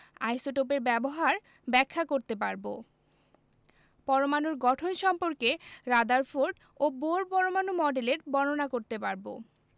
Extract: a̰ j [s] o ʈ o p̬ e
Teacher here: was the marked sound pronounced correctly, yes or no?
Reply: yes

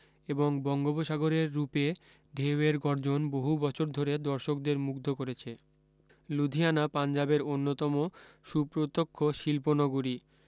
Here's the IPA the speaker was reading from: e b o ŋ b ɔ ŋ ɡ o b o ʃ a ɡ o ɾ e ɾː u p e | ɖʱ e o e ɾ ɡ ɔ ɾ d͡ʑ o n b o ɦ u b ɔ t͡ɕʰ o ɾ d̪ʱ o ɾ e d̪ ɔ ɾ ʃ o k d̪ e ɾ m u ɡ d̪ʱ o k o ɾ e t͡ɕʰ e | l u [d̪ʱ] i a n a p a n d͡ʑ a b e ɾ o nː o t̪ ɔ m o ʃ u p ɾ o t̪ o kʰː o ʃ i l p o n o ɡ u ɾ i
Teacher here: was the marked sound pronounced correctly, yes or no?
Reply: yes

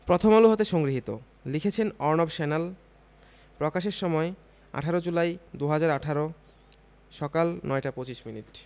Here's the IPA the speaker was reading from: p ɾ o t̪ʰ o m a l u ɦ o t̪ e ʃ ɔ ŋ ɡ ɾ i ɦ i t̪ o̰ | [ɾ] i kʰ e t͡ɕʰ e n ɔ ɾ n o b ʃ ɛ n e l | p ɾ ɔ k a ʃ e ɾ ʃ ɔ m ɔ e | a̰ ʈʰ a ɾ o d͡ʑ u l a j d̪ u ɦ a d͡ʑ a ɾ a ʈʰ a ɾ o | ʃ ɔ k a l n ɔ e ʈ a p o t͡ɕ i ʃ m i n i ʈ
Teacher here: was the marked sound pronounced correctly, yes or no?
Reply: no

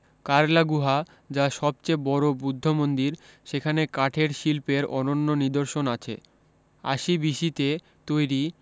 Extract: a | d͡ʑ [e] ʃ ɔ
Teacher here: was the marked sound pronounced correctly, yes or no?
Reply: no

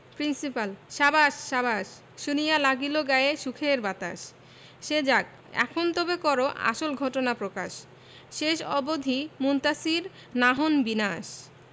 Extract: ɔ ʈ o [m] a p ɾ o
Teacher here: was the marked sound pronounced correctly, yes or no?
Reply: no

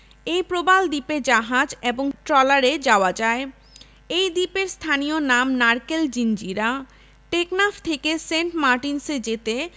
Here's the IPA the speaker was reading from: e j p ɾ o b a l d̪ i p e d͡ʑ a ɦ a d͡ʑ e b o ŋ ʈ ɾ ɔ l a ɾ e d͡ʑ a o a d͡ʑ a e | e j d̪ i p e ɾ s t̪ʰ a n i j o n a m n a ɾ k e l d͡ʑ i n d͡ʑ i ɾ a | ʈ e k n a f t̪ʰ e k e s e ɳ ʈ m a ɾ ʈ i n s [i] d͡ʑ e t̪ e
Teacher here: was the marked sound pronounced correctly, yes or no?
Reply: no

